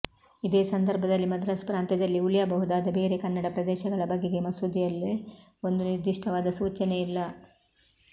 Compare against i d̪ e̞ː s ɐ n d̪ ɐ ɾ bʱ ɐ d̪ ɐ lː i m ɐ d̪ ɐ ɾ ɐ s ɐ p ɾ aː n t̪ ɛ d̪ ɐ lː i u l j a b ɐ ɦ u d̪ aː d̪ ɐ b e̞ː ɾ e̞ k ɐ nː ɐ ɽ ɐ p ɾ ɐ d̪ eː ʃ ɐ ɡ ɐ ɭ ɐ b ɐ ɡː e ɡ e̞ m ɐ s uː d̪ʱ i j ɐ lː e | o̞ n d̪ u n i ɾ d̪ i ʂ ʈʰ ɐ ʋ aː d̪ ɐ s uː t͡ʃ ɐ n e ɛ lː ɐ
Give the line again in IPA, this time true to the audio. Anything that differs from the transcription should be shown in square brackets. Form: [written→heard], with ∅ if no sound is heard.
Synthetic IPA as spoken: i d̪ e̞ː s ɐ n d̪ ɐ ɾ bʱ ɐ d̪ ɐ lː i m ɐ d̪ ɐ ɾ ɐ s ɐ p ɾ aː n t̪ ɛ d̪ ɐ lː i u l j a b ɐ ɦ u d̪ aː d̪ ɐ b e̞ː ɾ e̞ k ɐ nː ɐ ɽ ɐ p ɾ ɐ d̪ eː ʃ ɐ ɡ ɐ ɭ ɐ b ɐ ɡː e ɡ e̞ m ɐ s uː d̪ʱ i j ɐ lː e | o̞ n d̪ u n i ɾ d̪ i ʂ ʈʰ ɐ ʋ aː d̪ ɐ s uː t͡ʃ ɐ n e [ɛ→i] lː ɐ

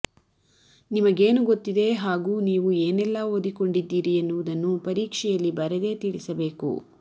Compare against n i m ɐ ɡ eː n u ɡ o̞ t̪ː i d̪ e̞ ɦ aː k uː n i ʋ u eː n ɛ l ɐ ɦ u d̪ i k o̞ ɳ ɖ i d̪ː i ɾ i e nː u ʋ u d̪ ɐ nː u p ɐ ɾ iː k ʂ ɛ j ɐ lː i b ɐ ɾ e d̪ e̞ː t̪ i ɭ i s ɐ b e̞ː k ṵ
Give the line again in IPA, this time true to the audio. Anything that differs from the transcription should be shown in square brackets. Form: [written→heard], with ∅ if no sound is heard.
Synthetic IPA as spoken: n i m ɐ ɡ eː n u ɡ o̞ t̪ː i d̪ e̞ ɦ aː [k→ɡ] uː n [i→iː] ʋ u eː n ɛ [l→lː] ɐ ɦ [u→o] d̪ i k o̞ ɳ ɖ i d̪ː [i→iː] ɾ i e nː u ʋ u d̪ ɐ nː u p ɐ ɾ iː k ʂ ɛ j ɐ lː i b ɐ ɾ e d̪ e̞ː t̪ i ɭ i s ɐ b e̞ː k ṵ

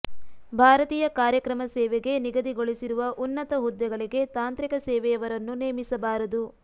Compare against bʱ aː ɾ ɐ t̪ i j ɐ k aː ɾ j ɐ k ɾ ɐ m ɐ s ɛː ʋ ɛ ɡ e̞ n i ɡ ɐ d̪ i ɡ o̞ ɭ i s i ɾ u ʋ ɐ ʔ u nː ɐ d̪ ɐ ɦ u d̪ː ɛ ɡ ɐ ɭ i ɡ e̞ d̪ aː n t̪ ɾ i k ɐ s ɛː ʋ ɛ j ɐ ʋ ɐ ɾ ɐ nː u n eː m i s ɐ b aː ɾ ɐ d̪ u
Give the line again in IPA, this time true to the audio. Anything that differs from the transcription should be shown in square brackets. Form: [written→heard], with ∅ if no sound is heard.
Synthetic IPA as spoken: bʱ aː ɾ ɐ t̪ [i→iː] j ɐ k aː ɾ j ɐ k ɾ ɐ m ɐ s ɛː ʋ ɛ ɡ e̞ n i ɡ ɐ d̪ i ɡ o̞ ɭ i s i ɾ u ʋ ɐ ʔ u nː ɐ [d̪→t̪] ɐ ɦ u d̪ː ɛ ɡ ɐ ɭ i ɡ e̞ [d̪→t̪] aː n t̪ ɾ i k ɐ s ɛː ʋ ɛ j ɐ ʋ ɐ ɾ ɐ nː u n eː m i s ɐ b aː ɾ ɐ d̪ u

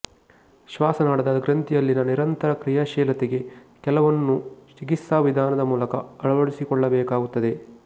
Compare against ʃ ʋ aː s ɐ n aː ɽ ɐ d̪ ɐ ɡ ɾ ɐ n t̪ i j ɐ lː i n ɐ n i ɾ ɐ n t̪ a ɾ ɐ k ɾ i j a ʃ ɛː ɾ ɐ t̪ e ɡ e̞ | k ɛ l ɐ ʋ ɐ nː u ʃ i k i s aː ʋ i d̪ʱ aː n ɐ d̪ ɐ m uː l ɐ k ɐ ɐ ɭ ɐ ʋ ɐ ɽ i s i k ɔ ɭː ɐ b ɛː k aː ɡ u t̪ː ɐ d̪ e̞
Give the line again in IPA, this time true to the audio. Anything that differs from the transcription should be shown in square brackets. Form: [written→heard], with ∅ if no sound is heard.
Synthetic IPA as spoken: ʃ ʋ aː s ɐ n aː ɽ ɐ d̪ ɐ ɡ ɾ ɐ n t̪ i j ɐ lː i n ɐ n i ɾ ɐ n t̪ [a→ɐ] ɾ ɐ k ɾ i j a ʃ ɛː [ɾ→l] ɐ t̪ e ɡ e̞ | k ɛ l ɐ ʋ ɐ nː u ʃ i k i s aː ʋ i d̪ʱ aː n ɐ d̪ ɐ m uː l ɐ k ɐ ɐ ɭ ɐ ʋ ɐ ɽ i s i k ɔ ɭː ɐ b ɛː k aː ɡ u t̪ː ɐ d̪ e̞

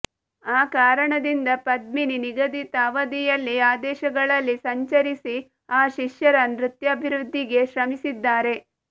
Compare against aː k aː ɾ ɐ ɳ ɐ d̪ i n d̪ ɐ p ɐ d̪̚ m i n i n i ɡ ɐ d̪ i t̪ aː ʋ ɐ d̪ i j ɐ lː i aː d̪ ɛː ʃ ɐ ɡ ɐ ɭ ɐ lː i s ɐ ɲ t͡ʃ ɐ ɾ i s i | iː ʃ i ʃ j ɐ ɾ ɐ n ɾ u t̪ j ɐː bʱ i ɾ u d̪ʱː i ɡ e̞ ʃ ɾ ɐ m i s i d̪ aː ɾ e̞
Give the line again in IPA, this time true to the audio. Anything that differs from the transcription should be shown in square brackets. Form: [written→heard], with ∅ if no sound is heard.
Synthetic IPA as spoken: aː k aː ɾ ɐ ɳ ɐ d̪ i n d̪ ɐ p ɐ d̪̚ m i n i n i ɡ ɐ d̪ i t̪ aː ʋ ɐ d̪ i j ɐ lː i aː d̪ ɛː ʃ ɐ ɡ ɐ ɭ ɐ lː i s ɐ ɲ t͡ʃ ɐ ɾ i s i | [iː→aː] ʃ i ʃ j ɐ ɾ ɐ n ɾ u t̪ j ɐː bʱ i ɾ u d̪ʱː i ɡ e̞ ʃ ɾ ɐ m i s i [d̪→d̪ː] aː ɾ e̞

